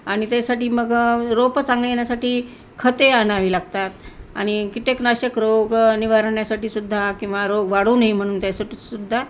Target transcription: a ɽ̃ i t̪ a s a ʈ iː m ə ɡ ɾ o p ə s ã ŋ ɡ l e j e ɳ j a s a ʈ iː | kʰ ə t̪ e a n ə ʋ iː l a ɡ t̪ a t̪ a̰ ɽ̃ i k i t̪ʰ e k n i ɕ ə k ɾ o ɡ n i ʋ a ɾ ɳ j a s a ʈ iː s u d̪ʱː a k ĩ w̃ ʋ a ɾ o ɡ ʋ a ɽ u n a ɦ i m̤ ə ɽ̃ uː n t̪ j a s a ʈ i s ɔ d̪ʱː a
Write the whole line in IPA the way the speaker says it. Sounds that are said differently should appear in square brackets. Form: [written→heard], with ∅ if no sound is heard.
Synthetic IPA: a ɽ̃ i t̪ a s a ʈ iː m ə ɡ ɾ o p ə [s→t͡s] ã ŋ ɡ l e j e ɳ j a s a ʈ iː | kʰ ə t̪ e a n [ə→a] ʋ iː l a ɡ t̪ a t̪ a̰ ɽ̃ i k i [t̪ʰ→t̪] e k n [i→a] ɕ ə k ɾ o ɡ n i ʋ a ɾ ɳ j a s a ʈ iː s u d̪ʱː a k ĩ w̃ ʋ a ɾ o ɡ ʋ a ɽ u n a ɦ i m̤ ə ɽ̃ uː n t̪ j a s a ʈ i s [ɔ→u] d̪ʱː a